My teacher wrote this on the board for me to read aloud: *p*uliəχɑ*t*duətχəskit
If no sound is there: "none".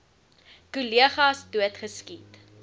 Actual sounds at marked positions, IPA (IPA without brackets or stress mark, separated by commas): k, s